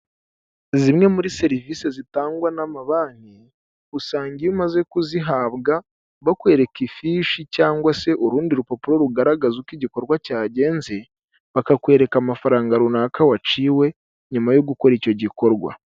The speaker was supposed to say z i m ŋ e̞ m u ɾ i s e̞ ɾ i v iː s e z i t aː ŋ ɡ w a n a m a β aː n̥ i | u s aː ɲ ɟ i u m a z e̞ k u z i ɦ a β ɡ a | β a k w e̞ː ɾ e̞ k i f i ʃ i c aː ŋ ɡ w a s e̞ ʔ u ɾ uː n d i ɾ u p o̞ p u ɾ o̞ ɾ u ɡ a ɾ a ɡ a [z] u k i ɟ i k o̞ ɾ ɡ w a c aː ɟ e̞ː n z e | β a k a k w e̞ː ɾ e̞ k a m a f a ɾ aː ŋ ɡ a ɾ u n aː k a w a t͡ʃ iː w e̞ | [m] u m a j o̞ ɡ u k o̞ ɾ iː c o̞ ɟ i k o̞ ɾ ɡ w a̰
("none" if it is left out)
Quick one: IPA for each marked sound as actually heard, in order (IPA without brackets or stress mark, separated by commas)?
z, ɲ